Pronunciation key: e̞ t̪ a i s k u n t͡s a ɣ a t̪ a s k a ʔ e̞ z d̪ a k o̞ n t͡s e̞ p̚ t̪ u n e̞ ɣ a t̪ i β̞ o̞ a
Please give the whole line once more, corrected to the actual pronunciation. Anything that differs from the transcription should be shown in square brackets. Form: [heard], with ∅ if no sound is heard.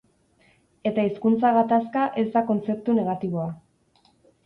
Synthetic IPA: e̞ t̪ a i s k u n t͡s a ɣ a t̪ a s k a ʔ e̞ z d̪ a k o̞ n t͡s e̞ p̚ t̪ u n e̞ ɣ a t̪ i β̞ o̞ a

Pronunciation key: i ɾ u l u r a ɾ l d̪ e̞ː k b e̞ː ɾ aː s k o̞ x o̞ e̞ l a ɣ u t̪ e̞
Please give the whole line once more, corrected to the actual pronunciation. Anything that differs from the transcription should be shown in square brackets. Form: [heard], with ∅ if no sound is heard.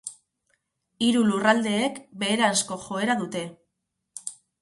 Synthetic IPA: i ɾ u l u r a [∅] l d̪ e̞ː k b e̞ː ɾ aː s k o̞ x o̞ e̞ [ɾ] a [ð] u t̪ e̞

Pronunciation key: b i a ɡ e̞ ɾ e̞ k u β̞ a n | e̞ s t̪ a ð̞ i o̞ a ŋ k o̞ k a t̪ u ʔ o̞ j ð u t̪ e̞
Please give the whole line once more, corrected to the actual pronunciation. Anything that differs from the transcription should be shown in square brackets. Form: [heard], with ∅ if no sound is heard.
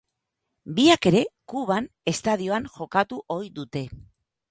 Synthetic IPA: b i a [k] e̞ ɾ e̞ k u β̞ a n | e̞ s t̪ a ð̞ i o̞ a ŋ [x] o̞ k a t̪ u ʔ o̞ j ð u t̪ e̞

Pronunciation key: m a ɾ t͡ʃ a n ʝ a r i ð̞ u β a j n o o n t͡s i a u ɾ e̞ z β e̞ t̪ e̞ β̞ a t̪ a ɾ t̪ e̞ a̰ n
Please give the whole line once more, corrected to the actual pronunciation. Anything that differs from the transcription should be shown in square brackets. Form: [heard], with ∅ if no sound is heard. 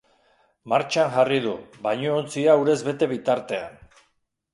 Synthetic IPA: m a ɾ t͡ʃ a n ʝ a r i ð̞ u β a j [ɲ] o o n t͡s i a u ɾ e̞ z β e̞ t̪ e̞ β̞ [i] t̪ a ɾ t̪ e̞ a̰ n

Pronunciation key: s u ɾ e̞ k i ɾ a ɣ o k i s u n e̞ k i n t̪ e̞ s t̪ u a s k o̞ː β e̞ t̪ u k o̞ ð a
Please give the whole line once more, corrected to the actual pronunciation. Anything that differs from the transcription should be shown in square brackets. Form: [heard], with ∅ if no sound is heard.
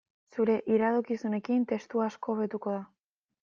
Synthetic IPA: s u ɾ e̞ [ʔ] i ɾ a [ð] o k i s u n e̞ k i n t̪ e̞ s t̪ u a s k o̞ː β e̞ t̪ u k o̞ ð a

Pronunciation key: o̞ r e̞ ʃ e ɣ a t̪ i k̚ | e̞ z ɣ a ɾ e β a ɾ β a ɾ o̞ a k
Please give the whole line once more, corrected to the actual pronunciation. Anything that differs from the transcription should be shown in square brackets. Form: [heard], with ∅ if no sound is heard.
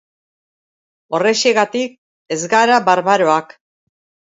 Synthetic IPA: o̞ r e̞ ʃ e ɣ a t̪ i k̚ | e̞ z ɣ a ɾ [a] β a ɾ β a ɾ o̞ a k

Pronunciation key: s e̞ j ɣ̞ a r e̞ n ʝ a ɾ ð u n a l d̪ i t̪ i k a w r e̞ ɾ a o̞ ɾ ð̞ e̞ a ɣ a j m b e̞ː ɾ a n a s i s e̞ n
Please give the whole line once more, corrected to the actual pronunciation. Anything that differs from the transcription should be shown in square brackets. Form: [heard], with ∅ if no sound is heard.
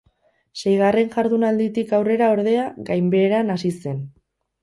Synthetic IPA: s e̞ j ɣ̞ a r e̞ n ʝ a ɾ ð u n a l d̪ i t̪ i k a w r e̞ ɾ a o̞ ɾ ð̞ e̞ a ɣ a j m b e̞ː ɾ a n a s i s e̞ n

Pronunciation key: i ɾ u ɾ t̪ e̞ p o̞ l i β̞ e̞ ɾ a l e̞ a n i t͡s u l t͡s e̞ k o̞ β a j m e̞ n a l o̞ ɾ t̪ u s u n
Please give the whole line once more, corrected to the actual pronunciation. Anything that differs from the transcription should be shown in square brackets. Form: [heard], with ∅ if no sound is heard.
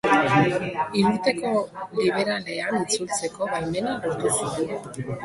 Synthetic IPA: i ɾ u ɾ t̪ e̞ [k] o̞ l i β̞ e̞ ɾ a l e̞ a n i t͡s u l t͡s e̞ k o̞ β a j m e̞ n a l o̞ ɾ t̪ u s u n

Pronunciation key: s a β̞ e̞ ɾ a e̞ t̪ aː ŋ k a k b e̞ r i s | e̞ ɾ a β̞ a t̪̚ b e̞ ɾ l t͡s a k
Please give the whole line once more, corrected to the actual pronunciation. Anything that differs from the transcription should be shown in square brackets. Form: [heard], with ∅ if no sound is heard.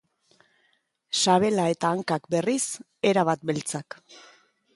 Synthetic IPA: s a β̞ e̞ [l] a e̞ t̪ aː ŋ k a k b e̞ r i s | e̞ ɾ a β̞ a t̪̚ b e̞ [∅] l t͡s a k

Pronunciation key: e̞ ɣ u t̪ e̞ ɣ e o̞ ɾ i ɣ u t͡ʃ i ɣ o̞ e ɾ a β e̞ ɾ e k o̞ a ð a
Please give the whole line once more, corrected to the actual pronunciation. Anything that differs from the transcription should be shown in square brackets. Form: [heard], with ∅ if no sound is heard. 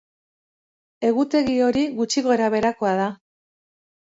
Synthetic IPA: e̞ ɣ u t̪ e̞ ɣ [i] o̞ ɾ i ɣ u t͡ʃ i ɣ o̞ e ɾ a β e̞ ɾ [a] k o̞ a ð a

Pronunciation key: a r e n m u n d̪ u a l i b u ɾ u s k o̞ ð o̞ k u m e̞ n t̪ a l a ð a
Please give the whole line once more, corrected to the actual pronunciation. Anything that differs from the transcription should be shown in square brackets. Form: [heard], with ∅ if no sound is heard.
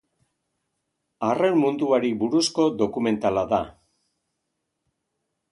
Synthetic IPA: a r e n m u n d̪ u a [ɾ] i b u ɾ u s k o̞ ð o̞ k u m e̞ n t̪ a l a ð a

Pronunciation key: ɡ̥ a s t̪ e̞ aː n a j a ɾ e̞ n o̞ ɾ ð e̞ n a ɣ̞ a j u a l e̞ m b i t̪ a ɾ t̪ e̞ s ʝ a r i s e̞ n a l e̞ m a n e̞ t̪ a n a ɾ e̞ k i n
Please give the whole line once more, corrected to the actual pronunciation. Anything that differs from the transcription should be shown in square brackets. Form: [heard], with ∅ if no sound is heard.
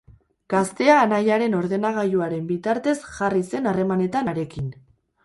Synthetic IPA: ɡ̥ a s t̪ e̞ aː n a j a ɾ e̞ n o̞ ɾ ð e̞ n a ɣ̞ a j u a [ɾ] e̞ m b i t̪ a ɾ t̪ e̞ s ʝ a r i s e̞ n a [r] e̞ m a n e̞ t̪ a n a ɾ e̞ k i n

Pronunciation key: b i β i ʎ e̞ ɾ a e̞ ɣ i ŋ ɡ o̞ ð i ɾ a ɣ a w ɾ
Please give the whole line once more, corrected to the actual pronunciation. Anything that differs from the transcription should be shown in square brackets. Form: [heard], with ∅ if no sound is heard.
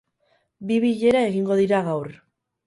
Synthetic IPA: b i β i ʎ e̞ ɾ a e̞ ɣ i ŋ ɡ o̞ ð i ɾ a ɣ a w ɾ

